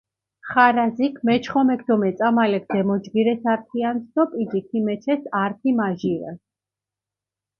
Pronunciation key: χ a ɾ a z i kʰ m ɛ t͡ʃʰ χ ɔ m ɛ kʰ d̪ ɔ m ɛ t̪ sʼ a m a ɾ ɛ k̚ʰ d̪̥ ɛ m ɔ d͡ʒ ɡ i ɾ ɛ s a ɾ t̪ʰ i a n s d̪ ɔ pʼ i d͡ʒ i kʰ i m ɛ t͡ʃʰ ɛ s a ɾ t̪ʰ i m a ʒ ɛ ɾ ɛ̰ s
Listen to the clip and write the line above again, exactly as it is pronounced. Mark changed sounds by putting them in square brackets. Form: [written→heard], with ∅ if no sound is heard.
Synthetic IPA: χ a ɾ a z i kʰ m ɛ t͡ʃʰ χ ɔ m ɛ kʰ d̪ ɔ m ɛ t̪ sʼ a m a [ɾ→l] ɛ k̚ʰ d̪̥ ɛ m ɔ d͡ʒ ɡ i ɾ ɛ s a ɾ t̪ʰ i a n s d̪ ɔ pʼ i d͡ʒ i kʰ i m ɛ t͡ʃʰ ɛ s a ɾ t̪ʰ i m a ʒ [ɛ→i] ɾ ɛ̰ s